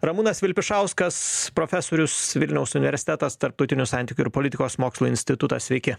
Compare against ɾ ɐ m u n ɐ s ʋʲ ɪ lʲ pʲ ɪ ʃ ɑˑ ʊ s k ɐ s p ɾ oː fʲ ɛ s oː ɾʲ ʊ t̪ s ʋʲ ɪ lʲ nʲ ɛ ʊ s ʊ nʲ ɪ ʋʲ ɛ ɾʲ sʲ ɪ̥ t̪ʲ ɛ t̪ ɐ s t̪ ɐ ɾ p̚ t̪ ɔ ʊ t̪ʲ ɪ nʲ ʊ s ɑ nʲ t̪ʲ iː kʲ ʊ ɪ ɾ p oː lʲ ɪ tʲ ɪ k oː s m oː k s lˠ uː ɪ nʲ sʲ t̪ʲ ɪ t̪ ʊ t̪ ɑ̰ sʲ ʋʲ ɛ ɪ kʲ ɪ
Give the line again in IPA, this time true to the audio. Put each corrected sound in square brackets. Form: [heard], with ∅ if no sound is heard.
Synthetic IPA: ɾ ɐ m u n ɐ s ʋʲ ɪ lʲ pʲ ɪ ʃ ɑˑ ʊ s k ɐ s p ɾ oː fʲ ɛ s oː ɾʲ ʊ [∅] s ʋʲ ɪ lʲ nʲ ɛ ʊ s ʊ nʲ ɪ ʋʲ ɛ ɾʲ sʲ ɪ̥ t̪ʲ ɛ t̪ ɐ s t̪ ɐ ɾ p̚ t̪ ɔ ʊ t̪ʲ ɪ nʲ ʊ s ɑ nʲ t̪ʲ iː kʲ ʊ ɪ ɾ p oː lʲ ɪ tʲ ɪ k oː s m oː k s lˠ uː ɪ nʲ sʲ t̪ʲ ɪ t̪ ʊ t̪ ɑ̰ sʲ ʋʲ ɛ ɪ kʲ ɪ